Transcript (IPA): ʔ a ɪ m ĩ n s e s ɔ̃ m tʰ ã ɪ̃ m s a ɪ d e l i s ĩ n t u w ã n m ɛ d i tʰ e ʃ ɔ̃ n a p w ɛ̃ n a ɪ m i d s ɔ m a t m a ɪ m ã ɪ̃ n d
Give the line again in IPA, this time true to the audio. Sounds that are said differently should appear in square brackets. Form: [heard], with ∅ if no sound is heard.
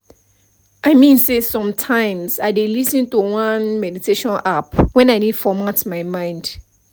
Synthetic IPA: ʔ a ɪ m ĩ n s e s ɔ̃ m tʰ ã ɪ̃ m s a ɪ d e l i s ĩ n t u w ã n m ɛ d i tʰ e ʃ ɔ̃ n a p w ɛ̃ n a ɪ [n] i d [f] ɔ m a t m a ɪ m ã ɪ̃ n d